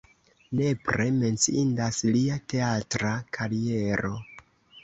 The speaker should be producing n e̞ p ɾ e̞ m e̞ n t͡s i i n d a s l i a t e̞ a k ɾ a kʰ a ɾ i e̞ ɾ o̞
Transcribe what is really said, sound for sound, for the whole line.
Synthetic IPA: n e̞ p ɾ e̞ m e̞ n t͡s i i n d a s l i a t e̞ a t ɾ a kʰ a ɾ i e̞ ɾ o̞